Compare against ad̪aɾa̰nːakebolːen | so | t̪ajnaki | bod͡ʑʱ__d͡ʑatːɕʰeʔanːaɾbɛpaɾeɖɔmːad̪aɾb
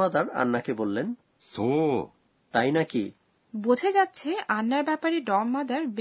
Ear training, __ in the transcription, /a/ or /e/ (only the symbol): e